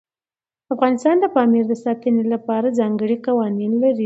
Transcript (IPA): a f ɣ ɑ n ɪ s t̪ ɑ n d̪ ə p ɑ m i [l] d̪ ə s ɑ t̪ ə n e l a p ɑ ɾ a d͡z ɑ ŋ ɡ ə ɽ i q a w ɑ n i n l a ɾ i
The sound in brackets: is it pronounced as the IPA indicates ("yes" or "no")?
no